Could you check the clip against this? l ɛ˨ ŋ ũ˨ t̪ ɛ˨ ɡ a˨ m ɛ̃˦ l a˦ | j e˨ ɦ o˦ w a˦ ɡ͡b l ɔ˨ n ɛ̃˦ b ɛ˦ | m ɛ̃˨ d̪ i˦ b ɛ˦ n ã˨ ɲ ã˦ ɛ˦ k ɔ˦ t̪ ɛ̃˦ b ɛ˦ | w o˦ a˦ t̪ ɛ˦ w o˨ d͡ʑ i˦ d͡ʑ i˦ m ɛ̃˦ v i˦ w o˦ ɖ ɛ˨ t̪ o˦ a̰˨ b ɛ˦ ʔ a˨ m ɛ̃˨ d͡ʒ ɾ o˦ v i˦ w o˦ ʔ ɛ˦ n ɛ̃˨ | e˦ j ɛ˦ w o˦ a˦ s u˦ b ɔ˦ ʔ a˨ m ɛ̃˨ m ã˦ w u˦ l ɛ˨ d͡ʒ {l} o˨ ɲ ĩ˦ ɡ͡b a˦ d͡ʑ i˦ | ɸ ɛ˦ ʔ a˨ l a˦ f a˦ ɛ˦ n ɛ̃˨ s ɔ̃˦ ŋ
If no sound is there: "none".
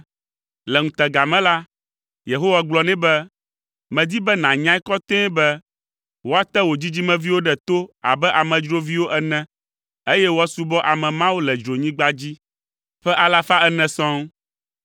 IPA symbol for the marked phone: ɾ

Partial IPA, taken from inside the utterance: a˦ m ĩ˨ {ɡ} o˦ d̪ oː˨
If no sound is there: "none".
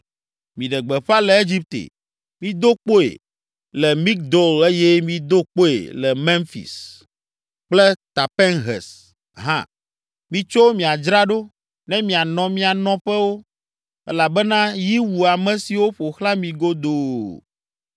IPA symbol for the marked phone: ɡ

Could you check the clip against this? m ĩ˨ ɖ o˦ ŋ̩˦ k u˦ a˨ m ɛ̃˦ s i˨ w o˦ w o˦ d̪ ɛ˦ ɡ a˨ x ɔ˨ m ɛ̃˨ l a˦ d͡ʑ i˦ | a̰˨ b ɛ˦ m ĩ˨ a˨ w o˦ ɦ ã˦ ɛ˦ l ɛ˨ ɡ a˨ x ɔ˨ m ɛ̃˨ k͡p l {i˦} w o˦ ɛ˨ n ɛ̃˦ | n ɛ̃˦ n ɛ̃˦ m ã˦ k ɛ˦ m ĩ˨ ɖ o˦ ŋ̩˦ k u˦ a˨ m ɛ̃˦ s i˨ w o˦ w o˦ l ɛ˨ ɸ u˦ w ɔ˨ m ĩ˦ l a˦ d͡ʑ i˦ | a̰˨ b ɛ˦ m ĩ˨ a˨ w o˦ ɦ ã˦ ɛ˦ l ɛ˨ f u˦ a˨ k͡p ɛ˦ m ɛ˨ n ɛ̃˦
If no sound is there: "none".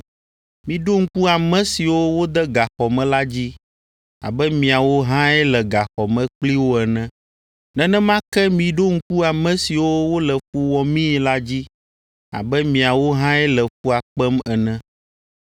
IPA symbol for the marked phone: i˦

